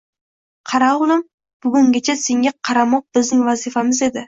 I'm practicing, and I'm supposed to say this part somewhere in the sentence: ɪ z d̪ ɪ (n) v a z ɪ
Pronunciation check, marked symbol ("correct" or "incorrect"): incorrect